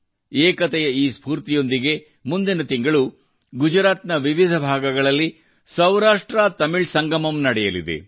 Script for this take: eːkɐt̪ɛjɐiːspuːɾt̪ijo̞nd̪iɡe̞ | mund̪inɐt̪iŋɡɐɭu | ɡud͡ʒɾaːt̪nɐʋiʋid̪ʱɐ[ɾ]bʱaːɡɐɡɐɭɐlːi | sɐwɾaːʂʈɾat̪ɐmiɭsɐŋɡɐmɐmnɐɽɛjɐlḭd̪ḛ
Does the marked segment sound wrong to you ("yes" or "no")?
yes